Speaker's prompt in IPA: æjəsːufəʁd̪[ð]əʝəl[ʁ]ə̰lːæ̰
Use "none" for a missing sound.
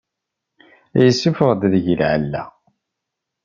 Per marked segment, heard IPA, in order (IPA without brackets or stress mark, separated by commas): ð, ʕ